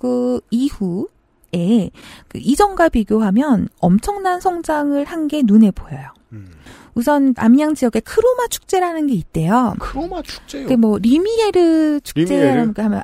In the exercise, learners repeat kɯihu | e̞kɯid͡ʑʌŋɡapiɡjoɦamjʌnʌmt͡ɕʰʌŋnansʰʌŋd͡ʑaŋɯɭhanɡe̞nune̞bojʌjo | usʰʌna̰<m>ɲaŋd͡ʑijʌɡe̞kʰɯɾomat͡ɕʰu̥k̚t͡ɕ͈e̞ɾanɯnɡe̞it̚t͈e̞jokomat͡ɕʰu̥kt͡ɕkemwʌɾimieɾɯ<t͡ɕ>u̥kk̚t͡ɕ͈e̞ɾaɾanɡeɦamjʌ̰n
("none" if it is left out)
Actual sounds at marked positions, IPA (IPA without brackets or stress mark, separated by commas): m, t͡ɕʰ